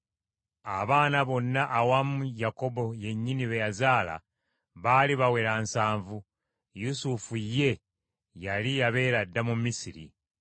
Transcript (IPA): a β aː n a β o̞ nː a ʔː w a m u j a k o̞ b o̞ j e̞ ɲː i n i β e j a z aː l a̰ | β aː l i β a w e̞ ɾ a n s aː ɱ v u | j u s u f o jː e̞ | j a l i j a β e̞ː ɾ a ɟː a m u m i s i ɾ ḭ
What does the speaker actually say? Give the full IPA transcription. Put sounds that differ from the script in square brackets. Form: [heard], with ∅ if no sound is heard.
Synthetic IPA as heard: a β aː n a β o̞ nː a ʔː w a m u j a k o̞ b o̞ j e̞ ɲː i n i β e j a z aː l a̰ | β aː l i β a w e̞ ɾ a n s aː ɱ v u | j u s u f [u] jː e̞ | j a l i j a β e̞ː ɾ a [dː] a m u m i s i ɾ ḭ